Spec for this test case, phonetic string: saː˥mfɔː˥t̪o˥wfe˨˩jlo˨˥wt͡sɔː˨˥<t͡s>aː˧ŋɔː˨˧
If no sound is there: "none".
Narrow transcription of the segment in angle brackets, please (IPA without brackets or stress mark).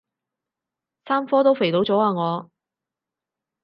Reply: none